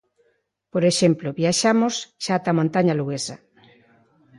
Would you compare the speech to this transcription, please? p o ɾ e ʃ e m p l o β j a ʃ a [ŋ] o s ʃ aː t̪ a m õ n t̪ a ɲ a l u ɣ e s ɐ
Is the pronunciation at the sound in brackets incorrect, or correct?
incorrect